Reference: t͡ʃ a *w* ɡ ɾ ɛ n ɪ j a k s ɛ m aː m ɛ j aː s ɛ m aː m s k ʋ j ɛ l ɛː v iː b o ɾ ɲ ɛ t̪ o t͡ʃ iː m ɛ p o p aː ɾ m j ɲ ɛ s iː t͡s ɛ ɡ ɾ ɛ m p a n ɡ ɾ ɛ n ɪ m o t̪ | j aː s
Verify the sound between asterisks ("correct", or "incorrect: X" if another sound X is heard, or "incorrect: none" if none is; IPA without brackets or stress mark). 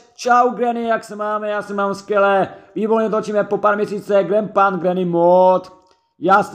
correct